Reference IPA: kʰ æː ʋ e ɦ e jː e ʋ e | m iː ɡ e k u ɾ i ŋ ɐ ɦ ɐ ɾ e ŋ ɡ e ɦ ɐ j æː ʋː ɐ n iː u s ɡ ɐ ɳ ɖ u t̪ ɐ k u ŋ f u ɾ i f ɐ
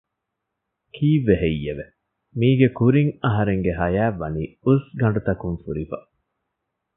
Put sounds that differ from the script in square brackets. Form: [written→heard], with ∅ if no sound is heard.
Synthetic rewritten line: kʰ [æː→iː] ʋ e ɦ e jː e ʋ e | m iː ɡ e k u ɾ i ŋ ɐ ɦ ɐ ɾ e ŋ ɡ e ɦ ɐ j æː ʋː ɐ n iː u s ɡ ɐ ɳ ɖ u t̪ ɐ k u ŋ f u ɾ i f ɐ